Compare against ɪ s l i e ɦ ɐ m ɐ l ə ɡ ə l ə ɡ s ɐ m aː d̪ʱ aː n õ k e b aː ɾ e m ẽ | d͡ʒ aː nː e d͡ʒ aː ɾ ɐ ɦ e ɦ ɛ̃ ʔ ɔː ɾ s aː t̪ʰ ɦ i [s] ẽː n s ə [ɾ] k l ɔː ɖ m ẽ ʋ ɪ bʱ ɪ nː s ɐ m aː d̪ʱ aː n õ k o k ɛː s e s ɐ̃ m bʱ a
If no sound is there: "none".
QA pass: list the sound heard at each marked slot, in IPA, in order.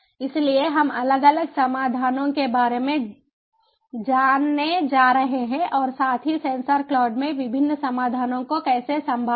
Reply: s, ɾ

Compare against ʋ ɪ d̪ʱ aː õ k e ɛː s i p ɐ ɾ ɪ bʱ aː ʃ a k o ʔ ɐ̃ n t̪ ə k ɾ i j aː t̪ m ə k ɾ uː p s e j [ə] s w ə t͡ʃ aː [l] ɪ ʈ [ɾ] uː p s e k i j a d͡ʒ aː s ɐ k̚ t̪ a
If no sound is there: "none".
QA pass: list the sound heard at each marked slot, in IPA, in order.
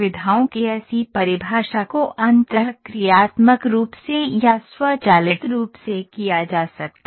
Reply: a, l, ɾ

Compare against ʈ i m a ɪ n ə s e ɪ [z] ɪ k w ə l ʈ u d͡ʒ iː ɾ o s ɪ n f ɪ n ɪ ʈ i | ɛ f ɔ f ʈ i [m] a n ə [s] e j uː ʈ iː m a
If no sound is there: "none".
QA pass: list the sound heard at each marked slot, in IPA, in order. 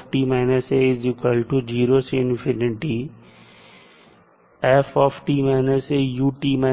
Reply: z, m, s

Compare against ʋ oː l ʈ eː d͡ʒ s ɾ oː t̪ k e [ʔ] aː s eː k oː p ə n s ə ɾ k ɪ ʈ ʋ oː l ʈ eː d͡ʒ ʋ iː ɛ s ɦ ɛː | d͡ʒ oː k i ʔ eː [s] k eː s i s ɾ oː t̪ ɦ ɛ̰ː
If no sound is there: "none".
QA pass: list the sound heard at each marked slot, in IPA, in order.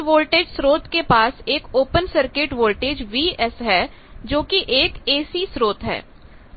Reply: p, none

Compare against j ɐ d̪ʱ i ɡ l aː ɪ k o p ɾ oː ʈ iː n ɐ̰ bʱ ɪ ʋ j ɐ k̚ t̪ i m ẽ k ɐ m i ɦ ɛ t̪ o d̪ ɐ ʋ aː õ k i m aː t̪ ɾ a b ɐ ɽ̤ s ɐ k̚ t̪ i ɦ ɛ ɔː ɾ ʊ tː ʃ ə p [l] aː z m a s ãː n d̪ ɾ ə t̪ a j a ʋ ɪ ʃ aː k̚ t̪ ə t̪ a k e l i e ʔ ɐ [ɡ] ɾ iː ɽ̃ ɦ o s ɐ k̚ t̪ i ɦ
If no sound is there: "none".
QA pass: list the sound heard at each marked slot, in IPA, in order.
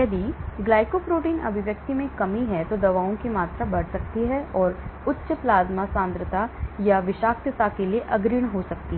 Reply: l, ɡ

